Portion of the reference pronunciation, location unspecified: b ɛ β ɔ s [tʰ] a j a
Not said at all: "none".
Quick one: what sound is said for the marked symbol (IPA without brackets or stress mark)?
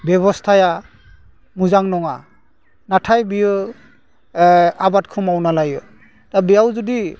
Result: tʰ